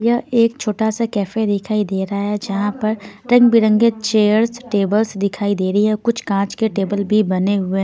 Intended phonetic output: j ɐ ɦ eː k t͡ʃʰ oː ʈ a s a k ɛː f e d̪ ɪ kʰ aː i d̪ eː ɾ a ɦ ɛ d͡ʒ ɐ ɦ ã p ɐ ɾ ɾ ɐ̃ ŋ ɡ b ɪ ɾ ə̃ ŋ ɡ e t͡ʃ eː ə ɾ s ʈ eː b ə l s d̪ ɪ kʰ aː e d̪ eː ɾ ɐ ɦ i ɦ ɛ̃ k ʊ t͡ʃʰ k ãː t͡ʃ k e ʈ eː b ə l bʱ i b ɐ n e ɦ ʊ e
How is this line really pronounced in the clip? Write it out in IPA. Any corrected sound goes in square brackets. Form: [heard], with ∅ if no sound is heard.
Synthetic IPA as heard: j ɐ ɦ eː k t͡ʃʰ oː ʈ a s a k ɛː f e d̪ ɪ kʰ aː i d̪ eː ɾ a ɦ ɛ d͡ʒ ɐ ɦ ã p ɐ ɾ ɾ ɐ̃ ŋ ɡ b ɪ ɾ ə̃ ŋ ɡ e t͡ʃ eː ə ɾ s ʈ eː b ə l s d̪ ɪ kʰ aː [i] d̪ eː ɾ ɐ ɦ i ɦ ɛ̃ k ʊ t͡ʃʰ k ãː t͡ʃ k e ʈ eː b ə l bʱ i b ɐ n e ɦ ʊ e

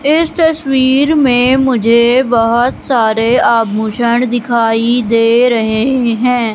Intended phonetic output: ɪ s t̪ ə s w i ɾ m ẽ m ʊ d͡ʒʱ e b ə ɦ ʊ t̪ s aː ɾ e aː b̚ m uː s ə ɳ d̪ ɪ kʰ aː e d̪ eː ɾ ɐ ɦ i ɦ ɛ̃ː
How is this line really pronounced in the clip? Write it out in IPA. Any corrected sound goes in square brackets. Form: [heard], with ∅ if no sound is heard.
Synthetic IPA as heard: ɪ s t̪ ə s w [iː] ɾ m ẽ m ʊ d͡ʒʱ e b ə ɦ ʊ t̪ s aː ɾ e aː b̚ m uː [ʃ] ə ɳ d̪ ɪ kʰ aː [i] d̪ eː ɾ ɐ ɦ [e] ɦ ɛ̃ː

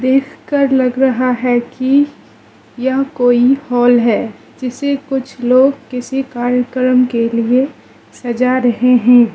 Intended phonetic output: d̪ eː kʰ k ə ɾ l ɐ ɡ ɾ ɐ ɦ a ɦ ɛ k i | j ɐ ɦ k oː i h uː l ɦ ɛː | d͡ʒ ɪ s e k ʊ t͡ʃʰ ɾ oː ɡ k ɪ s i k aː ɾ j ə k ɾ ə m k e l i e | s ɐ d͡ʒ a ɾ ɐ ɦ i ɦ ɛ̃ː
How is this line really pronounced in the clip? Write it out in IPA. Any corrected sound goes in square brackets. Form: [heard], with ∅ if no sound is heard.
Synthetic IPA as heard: d̪ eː kʰ k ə ɾ l ɐ ɡ ɾ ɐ ɦ a ɦ ɛ k i | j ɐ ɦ k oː i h [ɔː] l ɦ ɛː | d͡ʒ ɪ s e k ʊ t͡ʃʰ [l] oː ɡ k ɪ s i k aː ɾ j ə k ɾ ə m k e l i e | s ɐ d͡ʒ a ɾ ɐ ɦ [e] ɦ ɛ̃ː

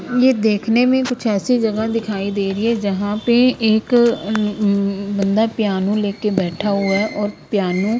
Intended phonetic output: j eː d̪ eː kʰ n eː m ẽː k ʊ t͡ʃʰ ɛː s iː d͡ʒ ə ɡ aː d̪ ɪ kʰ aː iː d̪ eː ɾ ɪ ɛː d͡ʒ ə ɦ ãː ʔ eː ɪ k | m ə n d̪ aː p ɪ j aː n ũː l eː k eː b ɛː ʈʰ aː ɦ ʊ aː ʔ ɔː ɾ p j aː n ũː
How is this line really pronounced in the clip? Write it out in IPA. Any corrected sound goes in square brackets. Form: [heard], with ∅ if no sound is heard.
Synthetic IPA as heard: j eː d̪ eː kʰ n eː m ẽː k ʊ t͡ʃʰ ɛː s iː d͡ʒ ə ɡ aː d̪ ɪ kʰ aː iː d̪ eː ɾ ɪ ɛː d͡ʒ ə ɦ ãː [p] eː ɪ k | [b] ə n d̪ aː p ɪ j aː n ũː l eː k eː b ɛː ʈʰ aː ɦ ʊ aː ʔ ɔː ɾ p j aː n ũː

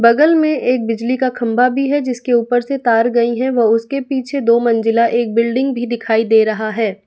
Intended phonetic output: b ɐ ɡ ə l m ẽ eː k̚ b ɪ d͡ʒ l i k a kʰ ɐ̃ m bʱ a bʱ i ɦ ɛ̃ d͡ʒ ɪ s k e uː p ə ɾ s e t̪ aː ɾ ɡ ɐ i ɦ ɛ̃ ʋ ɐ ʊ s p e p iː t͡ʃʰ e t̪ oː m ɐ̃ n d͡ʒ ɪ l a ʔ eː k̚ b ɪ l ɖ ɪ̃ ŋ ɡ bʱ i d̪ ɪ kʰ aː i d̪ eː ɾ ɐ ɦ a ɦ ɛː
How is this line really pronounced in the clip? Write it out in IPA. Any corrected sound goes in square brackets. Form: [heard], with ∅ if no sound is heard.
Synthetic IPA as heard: b ɐ ɡ ə l m ẽ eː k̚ b ɪ d͡ʒ l i k a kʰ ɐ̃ m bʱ a bʱ i ɦ [ɛ] d͡ʒ ɪ s k e uː p ə ɾ s e t̪ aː ɾ ɡ ɐ i ɦ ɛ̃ ʋ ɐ ʊ s [k] e p iː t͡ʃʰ e [d̪] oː m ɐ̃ n d͡ʒ ɪ l a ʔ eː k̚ b ɪ l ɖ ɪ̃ ŋ ɡ bʱ i d̪ ɪ kʰ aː i d̪ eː ɾ ɐ ɦ a ɦ ɛː

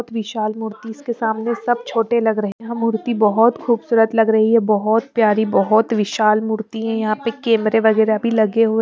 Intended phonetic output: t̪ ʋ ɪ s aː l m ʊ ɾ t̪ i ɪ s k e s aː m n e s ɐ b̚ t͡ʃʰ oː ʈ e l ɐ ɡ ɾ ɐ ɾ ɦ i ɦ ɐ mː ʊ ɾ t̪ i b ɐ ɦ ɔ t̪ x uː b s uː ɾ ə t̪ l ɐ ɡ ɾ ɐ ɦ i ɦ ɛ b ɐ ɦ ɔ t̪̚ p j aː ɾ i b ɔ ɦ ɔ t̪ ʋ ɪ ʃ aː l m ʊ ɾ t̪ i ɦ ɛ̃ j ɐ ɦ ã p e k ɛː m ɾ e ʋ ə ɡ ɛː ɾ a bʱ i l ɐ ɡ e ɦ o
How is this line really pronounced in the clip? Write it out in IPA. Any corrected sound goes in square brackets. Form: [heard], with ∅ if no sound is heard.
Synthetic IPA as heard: t̪ ʋ ɪ [ʃ] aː l m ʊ ɾ t̪ i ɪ s k e s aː m n e s ɐ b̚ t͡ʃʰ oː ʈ e l ɐ ɡ ɾ ɐ [∅] ɦ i ɦ ɐ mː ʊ ɾ t̪ i b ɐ ɦ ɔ t̪ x uː b s uː ɾ ə t̪ l ɐ ɡ ɾ ɐ ɦ i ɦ ɛ b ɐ ɦ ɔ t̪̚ p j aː ɾ i b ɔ ɦ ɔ t̪ ʋ ɪ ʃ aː l m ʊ ɾ t̪ i ɦ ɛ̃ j ɐ ɦ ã p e k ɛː m ɾ e ʋ [ɐ] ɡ ɛː ɾ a bʱ i l ɐ ɡ e ɦ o

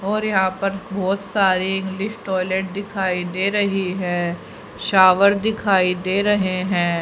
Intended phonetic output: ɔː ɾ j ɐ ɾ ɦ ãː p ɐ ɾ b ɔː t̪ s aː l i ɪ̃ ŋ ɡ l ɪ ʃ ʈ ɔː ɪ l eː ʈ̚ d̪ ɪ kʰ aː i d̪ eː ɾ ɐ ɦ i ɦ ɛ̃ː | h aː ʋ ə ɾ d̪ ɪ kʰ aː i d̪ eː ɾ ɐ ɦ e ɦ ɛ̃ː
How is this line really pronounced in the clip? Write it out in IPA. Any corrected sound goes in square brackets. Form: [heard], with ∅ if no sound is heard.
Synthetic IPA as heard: ɔː ɾ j ɐ [∅] ɦ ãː p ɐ ɾ b ɔː t̪ s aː [ɾ] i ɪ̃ ŋ ɡ l ɪ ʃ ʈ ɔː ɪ l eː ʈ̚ d̪ ɪ kʰ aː i d̪ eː ɾ ɐ ɦ i ɦ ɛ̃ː | [ʃ] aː ʋ ə ɾ d̪ ɪ kʰ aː i d̪ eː ɾ ɐ ɦ e ɦ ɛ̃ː

